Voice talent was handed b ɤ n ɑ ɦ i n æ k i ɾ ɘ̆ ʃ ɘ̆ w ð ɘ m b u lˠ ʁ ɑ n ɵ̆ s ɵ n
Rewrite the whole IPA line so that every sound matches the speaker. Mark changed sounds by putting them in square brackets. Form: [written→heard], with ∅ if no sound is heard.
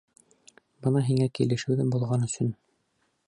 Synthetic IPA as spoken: b ɤ n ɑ ɦ i [n→ŋ] æ k i [ɾ→l] ɘ̆ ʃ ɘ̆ w ð ɘ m b u lˠ ʁ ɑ n ɵ̆ s ɵ n